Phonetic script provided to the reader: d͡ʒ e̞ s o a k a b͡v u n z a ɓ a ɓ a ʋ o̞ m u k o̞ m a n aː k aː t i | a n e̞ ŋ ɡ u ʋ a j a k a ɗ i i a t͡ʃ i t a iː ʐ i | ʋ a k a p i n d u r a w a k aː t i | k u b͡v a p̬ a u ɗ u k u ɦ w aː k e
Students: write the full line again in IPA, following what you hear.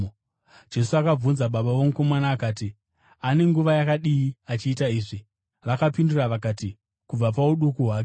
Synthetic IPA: d͡ʒ e̞ s u a k a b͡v u n z a ɓ a ɓ a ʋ o̞ m u k o̞ m a n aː k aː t i | a n e̞ ŋ ɡ u ʋ a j a k a ɗ i i a t͡ʃ iː t a iː ʐ i | ʋ a k a p i n d u r a ʋ a k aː t i | k u b͡v a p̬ a u ɗ u k u ɦ w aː k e